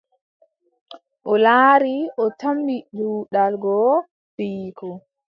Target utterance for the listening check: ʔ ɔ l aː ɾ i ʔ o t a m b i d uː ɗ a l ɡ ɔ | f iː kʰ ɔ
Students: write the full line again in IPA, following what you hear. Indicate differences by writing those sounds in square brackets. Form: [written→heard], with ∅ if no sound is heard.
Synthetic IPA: ʔ ɔ l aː ɾ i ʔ [o→ɔ] t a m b i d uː ɗ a l ɡ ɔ | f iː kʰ ɔ

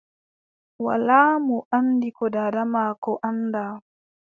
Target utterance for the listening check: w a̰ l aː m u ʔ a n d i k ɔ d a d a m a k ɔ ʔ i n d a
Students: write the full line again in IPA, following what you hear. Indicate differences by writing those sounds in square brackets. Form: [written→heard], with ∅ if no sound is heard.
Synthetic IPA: w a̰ l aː m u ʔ a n d i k ɔ d a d a m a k ɔ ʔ [i→a] n d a

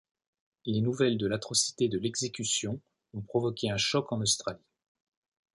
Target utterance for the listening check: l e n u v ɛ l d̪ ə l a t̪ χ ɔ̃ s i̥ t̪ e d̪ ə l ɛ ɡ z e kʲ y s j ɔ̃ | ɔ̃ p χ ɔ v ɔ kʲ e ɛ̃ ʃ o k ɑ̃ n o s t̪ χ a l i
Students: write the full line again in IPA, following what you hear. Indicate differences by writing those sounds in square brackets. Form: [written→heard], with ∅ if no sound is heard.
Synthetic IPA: l e n u v ɛ l d̪ ə l a t̪ χ [ɔ̃→ɔ] s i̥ t̪ e d̪ ə l ɛ ɡ z e kʲ y s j ɔ̃ | ɔ̃ p χ ɔ v ɔ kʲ e ɛ̃ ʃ [o→ɔ] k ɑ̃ n o s t̪ χ a l i

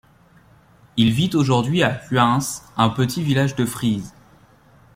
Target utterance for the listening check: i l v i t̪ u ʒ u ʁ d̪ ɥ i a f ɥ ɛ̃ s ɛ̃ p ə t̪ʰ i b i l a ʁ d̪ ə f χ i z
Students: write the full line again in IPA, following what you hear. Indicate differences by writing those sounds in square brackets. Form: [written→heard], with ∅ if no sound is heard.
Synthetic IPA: i l v i t̪ [u→o] ʒ u ʁ d̪ ɥ i a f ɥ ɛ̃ s ɛ̃ p ə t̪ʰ i [b→v] i l a [ʁ→ʒ] d̪ ə f χ i z

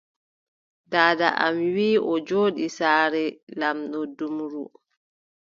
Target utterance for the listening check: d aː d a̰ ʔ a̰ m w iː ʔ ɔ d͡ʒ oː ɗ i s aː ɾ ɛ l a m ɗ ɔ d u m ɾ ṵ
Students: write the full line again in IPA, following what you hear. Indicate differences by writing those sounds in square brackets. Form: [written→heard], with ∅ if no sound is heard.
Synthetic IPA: d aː d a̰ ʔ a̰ m w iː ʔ ɔ d͡ʒ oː ɗ i s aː ɾ ɛ l a m ɗ ɔ d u m ɾ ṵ

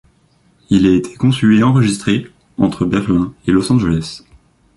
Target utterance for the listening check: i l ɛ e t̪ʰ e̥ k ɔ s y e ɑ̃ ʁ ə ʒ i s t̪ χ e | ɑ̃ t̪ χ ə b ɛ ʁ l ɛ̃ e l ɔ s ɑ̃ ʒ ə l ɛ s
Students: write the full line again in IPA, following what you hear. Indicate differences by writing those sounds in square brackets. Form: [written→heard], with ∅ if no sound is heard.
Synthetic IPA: i l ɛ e t̪ʰ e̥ k [ɔ→ɔ̃] s y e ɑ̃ ʁ ə ʒ i s t̪ χ e | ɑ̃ t̪ χ ə b ɛ ʁ l ɛ̃ e l ɔ s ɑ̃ ʒ ə l ɛ s

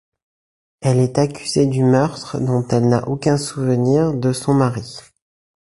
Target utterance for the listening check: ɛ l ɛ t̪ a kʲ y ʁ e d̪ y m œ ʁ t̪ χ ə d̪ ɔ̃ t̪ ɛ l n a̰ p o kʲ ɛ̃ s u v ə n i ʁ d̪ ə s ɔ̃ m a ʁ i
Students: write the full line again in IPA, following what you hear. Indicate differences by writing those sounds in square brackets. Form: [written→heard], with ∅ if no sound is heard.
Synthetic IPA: ɛ l ɛ t̪ a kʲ y [ʁ→z] e d̪ y m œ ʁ t̪ χ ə d̪ ɔ̃ t̪ ɛ l n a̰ [p→ʔ] o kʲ ɛ̃ s u v ə n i ʁ d̪ ə s ɔ̃ m a ʁ i

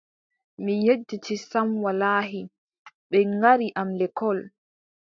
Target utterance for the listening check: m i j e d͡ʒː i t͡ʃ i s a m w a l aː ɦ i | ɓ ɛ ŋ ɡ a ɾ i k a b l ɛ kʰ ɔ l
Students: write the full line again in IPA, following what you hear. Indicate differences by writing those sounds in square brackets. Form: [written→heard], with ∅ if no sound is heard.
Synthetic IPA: m i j e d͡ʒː i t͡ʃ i s a m w a l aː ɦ i | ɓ ɛ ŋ ɡ a ɾ i [k→ʔ] a [b→m] l ɛ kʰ ɔ l

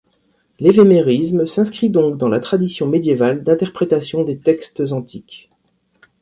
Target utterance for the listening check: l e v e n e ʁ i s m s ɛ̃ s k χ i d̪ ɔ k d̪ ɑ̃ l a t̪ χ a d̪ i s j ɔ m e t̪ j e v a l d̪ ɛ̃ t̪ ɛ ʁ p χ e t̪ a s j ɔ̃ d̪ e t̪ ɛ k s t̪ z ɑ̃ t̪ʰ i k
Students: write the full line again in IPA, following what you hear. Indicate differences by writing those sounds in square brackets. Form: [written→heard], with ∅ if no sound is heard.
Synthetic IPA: l e v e [n→m] e ʁ i s m s ɛ̃ s k χ i d̪ [ɔ→ɔ̃] k d̪ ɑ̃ l a t̪ χ a d̪ i s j [ɔ→ɔ̃] m e [t̪→d̪] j e v a l d̪ ɛ̃ t̪ ɛ ʁ p χ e t̪ a s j ɔ̃ d̪ e t̪ ɛ k s t̪ z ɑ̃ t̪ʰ i k

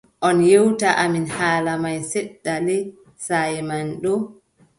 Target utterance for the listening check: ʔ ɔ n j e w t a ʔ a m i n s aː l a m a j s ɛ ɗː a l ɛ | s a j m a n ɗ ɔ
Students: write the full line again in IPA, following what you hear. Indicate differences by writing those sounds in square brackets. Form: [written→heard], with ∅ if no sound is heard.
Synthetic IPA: ʔ ɔ n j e w t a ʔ a m i n [s→h] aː l a m a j s ɛ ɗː a l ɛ | s a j m a n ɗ ɔ

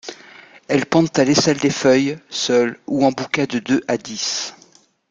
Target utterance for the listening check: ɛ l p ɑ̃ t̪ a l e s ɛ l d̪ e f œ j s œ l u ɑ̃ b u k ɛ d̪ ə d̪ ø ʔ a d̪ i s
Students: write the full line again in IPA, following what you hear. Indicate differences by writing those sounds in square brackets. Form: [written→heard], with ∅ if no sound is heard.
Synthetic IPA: ɛ l p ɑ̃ t̪ a l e s ɛ l d̪ e f œ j s œ l u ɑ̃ b u k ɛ d̪ ə d̪ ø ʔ a d̪ i s

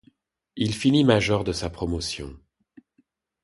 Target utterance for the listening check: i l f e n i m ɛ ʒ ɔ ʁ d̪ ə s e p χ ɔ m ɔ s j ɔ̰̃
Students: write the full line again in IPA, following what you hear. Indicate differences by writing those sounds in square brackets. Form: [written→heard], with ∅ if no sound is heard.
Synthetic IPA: i l f [e→i] n i m [ɛ→a] ʒ ɔ ʁ d̪ ə s [e→a] p χ ɔ m ɔ s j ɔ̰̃

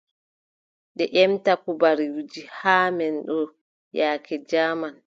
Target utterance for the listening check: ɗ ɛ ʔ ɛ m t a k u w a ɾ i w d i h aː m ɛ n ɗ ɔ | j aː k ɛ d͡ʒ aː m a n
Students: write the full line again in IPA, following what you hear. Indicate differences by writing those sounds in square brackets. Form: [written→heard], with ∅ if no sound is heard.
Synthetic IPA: ɗ ɛ ʔ ɛ m t a k u [w→b] a ɾ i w [d→d͡ʒ] i h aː m ɛ n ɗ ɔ | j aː k ɛ d͡ʒ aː m a n

